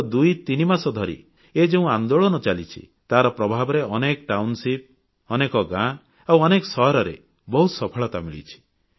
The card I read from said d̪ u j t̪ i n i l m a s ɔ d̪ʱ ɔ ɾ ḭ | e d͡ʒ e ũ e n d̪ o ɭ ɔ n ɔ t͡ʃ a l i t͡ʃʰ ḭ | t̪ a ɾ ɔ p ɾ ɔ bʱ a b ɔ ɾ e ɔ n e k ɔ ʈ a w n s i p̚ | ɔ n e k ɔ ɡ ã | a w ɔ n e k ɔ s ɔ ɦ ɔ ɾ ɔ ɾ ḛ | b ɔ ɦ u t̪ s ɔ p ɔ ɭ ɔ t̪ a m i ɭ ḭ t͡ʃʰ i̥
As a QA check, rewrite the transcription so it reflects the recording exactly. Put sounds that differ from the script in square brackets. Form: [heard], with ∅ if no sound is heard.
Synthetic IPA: d̪ u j t̪ i n i [∅] m a s ɔ d̪ʱ ɔ ɾ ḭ | e d͡ʒ e ũ [a] n d̪ o ɭ ɔ n ɔ t͡ʃ a l i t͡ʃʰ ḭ | t̪ a ɾ ɔ p ɾ ɔ bʱ a b ɔ ɾ e ɔ n e k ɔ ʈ a w n s i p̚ | ɔ n e k ɔ ɡ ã | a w ɔ n e k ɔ s ɔ ɦ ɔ ɾ ɔ ɾ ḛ | b ɔ ɦ u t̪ s ɔ [pʰ] ɔ ɭ ɔ t̪ a m i ɭ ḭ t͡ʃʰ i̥